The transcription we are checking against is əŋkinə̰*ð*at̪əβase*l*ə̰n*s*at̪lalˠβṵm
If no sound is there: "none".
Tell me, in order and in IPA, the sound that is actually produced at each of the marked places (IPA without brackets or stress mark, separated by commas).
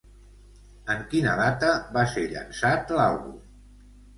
ð, ʎ, s